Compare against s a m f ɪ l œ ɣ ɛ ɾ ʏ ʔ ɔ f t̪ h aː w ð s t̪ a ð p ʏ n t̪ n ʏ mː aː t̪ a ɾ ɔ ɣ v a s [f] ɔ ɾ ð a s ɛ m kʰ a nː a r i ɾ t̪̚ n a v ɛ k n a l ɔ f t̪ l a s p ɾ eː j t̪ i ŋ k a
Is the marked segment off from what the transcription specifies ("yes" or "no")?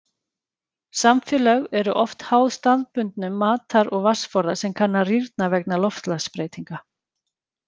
no